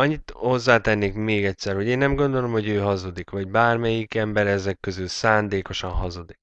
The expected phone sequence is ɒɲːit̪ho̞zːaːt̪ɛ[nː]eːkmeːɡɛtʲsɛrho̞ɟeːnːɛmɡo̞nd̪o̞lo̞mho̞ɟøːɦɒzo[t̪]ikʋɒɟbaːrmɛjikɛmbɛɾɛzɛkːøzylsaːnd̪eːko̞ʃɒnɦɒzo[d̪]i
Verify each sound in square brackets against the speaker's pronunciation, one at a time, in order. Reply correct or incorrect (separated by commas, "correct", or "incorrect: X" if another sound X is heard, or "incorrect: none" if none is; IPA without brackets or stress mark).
correct, incorrect: d̪, correct